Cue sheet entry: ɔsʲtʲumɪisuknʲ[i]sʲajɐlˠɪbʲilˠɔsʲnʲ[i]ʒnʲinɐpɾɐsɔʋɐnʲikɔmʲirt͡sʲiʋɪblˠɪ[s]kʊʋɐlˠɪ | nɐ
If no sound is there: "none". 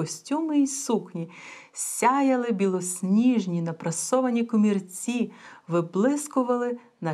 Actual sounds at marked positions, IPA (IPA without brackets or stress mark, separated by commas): i, i, s